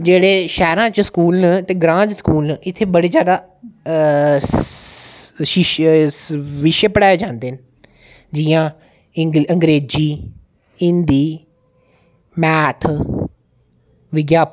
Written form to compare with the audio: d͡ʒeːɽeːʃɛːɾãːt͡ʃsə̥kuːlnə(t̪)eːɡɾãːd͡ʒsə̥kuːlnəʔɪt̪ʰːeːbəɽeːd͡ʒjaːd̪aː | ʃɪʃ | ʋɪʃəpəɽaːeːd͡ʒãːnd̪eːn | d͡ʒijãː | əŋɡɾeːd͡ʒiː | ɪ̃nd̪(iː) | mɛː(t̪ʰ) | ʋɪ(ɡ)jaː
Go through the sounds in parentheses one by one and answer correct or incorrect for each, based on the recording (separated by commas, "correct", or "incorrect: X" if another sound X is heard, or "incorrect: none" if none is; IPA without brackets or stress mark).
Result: correct, correct, correct, correct